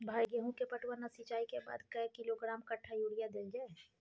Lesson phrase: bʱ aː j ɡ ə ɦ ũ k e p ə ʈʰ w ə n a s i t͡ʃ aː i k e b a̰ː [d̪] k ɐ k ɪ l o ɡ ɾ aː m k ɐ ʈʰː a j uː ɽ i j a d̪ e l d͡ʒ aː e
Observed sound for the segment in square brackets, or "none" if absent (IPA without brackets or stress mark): d̪